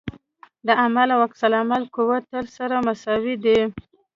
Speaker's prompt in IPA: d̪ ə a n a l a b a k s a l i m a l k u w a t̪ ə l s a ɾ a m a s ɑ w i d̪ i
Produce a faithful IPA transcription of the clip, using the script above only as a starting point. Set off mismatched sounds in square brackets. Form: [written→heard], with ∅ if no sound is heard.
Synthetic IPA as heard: d̪ ə a [n→m] a l a [b→w] a k s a l [i→a] m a l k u w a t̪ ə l s a ɾ a m a s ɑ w i d̪ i

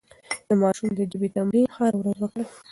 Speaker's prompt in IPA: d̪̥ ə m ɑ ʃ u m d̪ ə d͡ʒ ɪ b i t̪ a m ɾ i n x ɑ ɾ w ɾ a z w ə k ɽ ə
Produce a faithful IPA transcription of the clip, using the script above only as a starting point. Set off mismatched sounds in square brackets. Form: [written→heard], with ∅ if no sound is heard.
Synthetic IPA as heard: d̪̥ ə m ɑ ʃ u m d̪ ə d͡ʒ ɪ b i t̪ a m ɾ i n x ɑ ɾ w ɾ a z w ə k ɽ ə

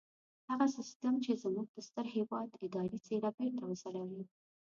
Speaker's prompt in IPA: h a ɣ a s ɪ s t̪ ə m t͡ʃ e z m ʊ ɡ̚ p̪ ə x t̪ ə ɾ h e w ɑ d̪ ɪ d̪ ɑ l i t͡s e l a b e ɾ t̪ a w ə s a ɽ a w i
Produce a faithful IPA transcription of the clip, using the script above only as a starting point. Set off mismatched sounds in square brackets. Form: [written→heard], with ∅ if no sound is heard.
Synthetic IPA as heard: h a ɣ a s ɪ s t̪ ə m t͡ʃ e z m [ʊ→u] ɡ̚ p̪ ə [x→s] t̪ ə ɾ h e w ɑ d̪ ɪ d̪ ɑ [l→ɾ] i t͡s e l a b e ɾ t̪ a w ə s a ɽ a w i

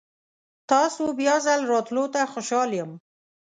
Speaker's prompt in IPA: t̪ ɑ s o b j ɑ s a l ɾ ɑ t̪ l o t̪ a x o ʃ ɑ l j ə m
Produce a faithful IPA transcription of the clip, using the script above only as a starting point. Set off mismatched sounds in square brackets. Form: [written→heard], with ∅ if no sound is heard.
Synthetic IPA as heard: t̪ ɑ s o b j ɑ [s→z] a l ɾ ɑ t̪ l o t̪ a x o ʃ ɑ l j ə m

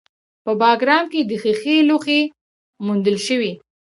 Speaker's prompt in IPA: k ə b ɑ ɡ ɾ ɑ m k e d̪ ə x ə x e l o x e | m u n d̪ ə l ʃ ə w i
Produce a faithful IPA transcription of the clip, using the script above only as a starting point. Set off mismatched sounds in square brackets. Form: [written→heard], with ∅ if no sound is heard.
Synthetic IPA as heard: [k→p] ə b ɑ ɡ ɾ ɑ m k e d̪ ə x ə x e l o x e | m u n d̪ ə l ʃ ə w i

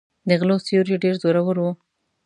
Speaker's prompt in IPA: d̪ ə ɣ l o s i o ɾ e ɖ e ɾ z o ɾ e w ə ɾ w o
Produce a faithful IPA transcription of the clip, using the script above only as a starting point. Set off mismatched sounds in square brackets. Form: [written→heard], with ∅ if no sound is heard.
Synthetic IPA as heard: d̪ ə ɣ l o s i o ɾ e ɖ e ɾ z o ɾ [e→a] w ə ɾ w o

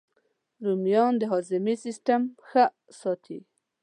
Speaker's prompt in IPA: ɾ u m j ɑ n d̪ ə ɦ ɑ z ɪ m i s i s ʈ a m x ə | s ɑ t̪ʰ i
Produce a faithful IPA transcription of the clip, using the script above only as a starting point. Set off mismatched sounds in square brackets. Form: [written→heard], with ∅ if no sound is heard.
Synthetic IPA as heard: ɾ u m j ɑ n d̪ ə ɦ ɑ z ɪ m i s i s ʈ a m x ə | s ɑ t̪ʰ i

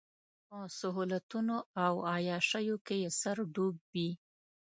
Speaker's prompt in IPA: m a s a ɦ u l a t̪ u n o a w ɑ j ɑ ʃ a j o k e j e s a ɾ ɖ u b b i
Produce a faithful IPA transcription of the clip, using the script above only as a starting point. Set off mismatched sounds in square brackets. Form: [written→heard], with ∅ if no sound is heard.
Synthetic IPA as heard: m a s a ɦ u l a t̪ u n o a w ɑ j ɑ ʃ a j o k e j e s a ɾ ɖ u b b i

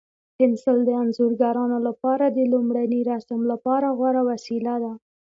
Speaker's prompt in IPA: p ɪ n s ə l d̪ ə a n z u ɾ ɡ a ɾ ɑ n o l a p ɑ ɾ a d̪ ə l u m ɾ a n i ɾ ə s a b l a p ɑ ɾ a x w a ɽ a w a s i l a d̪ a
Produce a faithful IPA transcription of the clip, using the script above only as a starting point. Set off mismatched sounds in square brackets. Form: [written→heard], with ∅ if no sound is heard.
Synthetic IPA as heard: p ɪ n s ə l d̪ ə a n z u ɾ ɡ a ɾ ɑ n o l a p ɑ ɾ a d̪ ə l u m [ɾ→ɽ] a n i ɾ [ə→a] s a [b→m] l a p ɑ ɾ a [x→ɣ] w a [ɽ→ɾ] a w a s i l a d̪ a

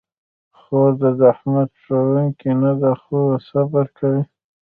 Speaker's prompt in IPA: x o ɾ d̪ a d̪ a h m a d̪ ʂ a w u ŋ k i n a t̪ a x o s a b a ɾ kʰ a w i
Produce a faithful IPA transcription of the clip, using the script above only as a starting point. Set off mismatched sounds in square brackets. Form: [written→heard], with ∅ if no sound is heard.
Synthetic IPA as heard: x o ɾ d̪ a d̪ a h m a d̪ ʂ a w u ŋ k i n a [t̪→d̪] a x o s a b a ɾ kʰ a w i

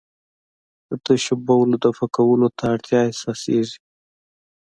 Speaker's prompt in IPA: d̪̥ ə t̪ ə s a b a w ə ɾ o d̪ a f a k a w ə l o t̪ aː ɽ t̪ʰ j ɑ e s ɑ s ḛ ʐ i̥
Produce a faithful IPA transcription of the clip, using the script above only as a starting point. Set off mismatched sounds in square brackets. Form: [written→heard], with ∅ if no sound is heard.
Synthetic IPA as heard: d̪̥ ə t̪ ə [s→ʃ] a b a w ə [ɾ→l] o d̪ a f a k a w ə l o t̪ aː ɽ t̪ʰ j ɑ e s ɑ s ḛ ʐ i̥

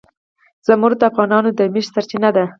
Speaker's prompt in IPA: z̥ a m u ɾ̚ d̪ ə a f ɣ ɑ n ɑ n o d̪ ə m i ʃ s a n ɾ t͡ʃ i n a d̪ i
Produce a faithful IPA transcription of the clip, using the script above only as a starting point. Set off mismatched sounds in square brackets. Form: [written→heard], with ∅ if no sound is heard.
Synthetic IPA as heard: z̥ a m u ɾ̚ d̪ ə a f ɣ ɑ n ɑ n o d̪ ə m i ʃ s a [n→∅] ɾ t͡ʃ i n a d̪ [i→a]

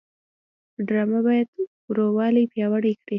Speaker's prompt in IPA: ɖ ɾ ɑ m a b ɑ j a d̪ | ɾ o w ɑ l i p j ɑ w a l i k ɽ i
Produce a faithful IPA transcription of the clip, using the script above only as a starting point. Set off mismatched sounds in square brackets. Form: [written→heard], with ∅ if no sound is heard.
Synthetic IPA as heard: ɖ ɾ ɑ m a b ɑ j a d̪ | ɾ o w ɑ l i p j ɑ w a [l→ɽ] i k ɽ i

